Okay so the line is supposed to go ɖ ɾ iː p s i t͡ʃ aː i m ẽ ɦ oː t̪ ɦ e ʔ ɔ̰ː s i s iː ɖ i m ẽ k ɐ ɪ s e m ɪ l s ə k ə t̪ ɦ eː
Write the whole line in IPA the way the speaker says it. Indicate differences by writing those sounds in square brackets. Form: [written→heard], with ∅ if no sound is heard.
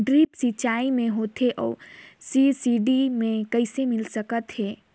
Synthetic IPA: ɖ ɾ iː p s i t͡ʃ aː i m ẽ ɦ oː t̪ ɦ e ʔ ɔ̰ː s i s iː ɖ i m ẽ k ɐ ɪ s e m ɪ l s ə k ə t̪ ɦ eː